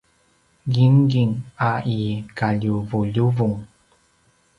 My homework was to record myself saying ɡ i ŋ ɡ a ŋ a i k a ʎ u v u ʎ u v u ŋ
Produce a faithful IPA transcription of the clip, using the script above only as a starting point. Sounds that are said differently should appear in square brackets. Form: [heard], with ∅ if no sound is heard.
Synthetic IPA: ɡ i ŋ ɡ [i] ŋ a i k a ʎ u v u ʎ u v u ŋ

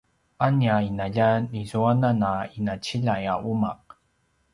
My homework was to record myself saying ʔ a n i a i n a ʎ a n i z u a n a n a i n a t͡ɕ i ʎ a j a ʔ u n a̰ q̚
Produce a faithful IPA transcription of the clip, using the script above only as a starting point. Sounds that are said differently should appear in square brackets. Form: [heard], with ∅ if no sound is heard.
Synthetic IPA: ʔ a n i a i n a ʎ a n i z u a n a n a i n a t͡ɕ i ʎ a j a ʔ u [m] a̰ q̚

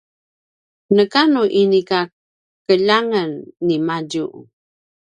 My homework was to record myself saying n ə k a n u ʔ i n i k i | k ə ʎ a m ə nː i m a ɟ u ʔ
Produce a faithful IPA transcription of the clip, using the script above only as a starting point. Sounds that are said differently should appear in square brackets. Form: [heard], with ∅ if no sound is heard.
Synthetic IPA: n ə k a n u ʔ i n i k [a] | k ə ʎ a [ŋ] ə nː i m a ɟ u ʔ

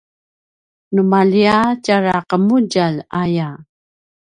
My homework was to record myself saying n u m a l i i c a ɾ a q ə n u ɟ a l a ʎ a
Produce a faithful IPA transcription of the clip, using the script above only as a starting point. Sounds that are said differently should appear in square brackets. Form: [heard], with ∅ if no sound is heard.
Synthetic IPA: n u m a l i [a] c a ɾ a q ə [m] u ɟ a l a [j] a

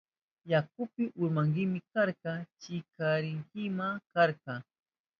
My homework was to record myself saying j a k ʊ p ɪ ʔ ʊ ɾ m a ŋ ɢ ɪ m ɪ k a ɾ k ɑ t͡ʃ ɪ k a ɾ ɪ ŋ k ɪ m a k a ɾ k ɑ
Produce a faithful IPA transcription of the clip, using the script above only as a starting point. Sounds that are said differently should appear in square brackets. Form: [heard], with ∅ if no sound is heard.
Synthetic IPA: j a k ʊ p ɪ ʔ ʊ ɾ m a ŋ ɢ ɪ m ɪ k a ɾ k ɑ t͡ʃ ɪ k a ɾ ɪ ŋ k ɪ m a k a ɾ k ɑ

